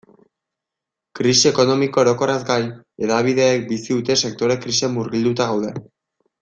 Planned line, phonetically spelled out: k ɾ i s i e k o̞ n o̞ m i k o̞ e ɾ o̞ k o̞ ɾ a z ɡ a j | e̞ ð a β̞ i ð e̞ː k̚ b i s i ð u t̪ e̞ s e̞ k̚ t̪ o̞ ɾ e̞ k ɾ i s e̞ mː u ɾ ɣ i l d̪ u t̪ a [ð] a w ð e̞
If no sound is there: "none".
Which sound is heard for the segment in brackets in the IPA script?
ɣ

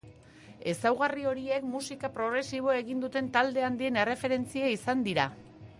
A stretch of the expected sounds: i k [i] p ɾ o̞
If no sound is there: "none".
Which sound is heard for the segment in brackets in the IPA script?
a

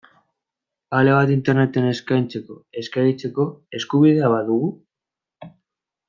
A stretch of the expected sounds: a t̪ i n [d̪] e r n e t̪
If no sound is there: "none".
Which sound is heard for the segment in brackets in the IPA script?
t̪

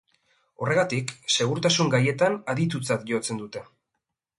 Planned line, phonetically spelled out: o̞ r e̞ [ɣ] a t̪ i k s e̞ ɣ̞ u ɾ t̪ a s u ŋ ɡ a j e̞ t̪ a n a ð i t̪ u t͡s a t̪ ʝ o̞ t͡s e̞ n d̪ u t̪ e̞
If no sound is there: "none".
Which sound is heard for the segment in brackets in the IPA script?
ɣ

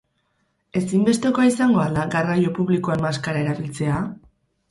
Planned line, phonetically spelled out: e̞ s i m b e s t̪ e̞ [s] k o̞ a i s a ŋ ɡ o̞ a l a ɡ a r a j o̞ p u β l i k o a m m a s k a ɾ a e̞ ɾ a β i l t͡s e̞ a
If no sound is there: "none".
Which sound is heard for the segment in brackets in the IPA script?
none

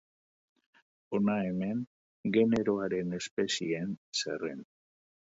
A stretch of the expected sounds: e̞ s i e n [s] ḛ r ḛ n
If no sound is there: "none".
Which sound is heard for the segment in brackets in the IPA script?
s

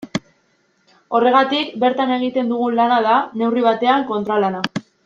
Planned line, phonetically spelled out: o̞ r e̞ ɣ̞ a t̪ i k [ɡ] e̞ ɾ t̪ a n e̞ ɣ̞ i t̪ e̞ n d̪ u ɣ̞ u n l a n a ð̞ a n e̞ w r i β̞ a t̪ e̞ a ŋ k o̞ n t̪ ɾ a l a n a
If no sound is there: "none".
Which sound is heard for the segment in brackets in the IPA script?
b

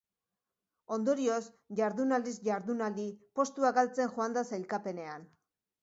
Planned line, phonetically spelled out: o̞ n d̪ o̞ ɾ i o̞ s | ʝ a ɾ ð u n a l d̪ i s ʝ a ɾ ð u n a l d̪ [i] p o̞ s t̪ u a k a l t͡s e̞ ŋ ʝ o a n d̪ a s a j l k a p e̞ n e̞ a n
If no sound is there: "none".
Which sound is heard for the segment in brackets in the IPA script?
i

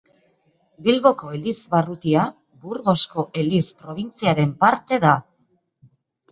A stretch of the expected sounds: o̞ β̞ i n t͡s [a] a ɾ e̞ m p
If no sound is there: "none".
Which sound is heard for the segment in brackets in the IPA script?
i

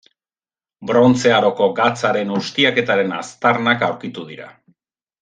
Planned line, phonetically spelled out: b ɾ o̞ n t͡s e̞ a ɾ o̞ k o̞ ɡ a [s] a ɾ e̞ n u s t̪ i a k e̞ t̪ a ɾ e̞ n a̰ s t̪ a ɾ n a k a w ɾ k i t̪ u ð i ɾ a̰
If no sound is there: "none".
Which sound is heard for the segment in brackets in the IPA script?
t͡s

